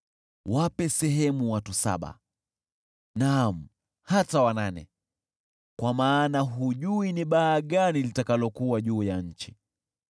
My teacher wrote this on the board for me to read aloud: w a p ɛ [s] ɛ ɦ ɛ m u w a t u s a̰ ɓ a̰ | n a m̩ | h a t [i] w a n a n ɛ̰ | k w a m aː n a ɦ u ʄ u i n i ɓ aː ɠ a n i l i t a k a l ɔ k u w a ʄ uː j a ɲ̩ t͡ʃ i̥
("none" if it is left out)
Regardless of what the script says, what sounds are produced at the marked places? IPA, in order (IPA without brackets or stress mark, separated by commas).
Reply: s, a